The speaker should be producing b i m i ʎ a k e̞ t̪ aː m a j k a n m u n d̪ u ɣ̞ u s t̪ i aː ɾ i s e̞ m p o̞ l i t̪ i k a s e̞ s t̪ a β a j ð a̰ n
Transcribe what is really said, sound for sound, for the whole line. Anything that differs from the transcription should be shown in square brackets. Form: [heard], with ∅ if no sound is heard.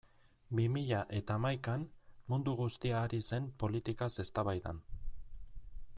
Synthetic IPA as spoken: b i m i ʎ a [ʔ] e̞ t̪ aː m a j k a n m u n d̪ u ɣ̞ u s t̪ i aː ɾ i s e̞ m p o̞ l i t̪ i k a s e̞ s t̪ a β a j ð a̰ n